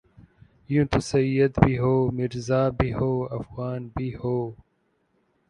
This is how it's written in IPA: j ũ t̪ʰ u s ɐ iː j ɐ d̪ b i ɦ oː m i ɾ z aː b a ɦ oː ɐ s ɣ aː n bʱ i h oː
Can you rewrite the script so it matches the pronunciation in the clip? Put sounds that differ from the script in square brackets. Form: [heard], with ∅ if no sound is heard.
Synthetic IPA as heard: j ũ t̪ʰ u s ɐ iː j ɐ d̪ b i ɦ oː m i ɾ z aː b [i] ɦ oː ɐ [f] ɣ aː n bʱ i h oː

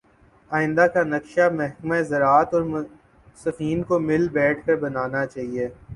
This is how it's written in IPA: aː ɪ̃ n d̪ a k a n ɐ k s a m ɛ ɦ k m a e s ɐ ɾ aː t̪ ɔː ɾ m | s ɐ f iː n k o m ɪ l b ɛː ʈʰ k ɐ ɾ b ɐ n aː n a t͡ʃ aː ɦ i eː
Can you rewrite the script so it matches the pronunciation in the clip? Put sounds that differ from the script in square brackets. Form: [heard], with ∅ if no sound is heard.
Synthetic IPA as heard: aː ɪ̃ n d̪ a k a n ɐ k [ʃ] a m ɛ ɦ k m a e [z] ɐ ɾ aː t̪ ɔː ɾ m | s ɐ f iː n k o m ɪ l b ɛː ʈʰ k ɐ ɾ b ɐ n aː n a t͡ʃ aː ɦ i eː

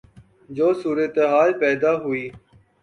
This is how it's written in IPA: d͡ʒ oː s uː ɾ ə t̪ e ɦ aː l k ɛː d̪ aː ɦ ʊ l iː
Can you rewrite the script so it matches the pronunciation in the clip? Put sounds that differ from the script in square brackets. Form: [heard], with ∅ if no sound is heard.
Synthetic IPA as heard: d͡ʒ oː s uː ɾ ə t̪ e ɦ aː l [p] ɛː d̪ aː ɦ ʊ [∅] iː

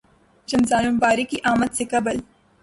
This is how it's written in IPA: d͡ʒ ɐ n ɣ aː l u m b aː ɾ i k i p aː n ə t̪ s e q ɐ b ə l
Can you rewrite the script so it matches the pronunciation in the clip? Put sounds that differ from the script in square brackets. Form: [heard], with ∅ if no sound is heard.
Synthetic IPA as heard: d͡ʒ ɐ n [z] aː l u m b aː ɾ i k i [ʔ] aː [m] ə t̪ s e [k] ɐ b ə l

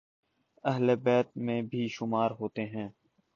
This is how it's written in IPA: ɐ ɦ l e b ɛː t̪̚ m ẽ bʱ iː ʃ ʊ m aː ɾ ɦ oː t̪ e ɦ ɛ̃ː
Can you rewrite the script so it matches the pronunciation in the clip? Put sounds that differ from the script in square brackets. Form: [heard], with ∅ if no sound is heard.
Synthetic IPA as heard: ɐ ɦ l e b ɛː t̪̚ m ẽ bʱ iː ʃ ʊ m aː ɾ ɦ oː t̪ e ɦ ɛ̃ː

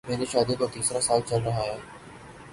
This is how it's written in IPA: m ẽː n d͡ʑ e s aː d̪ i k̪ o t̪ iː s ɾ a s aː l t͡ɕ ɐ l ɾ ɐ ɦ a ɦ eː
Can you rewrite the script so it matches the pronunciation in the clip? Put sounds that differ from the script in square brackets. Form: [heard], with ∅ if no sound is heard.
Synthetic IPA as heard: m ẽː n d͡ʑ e [ʃ] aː d̪ i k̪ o t̪ iː s ɾ a s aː l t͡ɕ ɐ l ɾ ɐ ɦ a ɦ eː

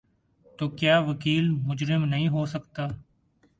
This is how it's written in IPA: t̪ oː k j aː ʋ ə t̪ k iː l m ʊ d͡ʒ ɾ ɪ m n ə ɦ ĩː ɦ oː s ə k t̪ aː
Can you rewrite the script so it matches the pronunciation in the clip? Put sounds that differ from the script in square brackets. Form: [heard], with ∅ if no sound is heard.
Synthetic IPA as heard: t̪ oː k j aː ʋ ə [∅] k iː l m ʊ d͡ʒ ɾ ɪ m n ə ɦ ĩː ɦ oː s ə k t̪ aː

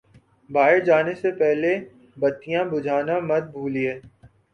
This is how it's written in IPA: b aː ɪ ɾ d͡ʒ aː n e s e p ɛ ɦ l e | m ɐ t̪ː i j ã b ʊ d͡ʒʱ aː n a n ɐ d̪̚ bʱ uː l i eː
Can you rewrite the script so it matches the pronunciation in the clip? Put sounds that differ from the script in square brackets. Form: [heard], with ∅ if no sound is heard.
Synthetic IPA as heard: b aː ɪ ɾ d͡ʒ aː n e s e p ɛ ɦ l e | [b] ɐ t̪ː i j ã b ʊ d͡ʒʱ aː n a [m] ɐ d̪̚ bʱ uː l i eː

